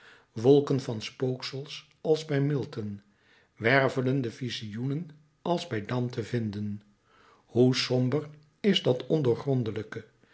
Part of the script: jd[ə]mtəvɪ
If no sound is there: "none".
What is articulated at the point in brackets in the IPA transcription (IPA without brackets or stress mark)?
ɑ